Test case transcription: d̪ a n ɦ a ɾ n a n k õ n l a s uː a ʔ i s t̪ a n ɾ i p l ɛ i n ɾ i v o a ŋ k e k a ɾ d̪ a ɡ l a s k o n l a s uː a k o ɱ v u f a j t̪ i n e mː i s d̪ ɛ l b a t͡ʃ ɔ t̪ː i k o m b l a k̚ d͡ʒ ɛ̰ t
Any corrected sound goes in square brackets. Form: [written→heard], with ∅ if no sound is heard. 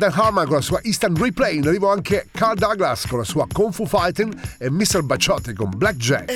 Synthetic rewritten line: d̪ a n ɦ a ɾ [n→m] a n k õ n l a s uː a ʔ i s t̪ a n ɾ i p l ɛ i n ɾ i v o a ŋ k e k a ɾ d̪ a ɡ l a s k o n l a s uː a k o ɱ [v→f] u f a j t̪ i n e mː i s [d̪→t̪] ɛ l b a t͡ʃ ɔ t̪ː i k o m b l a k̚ d͡ʒ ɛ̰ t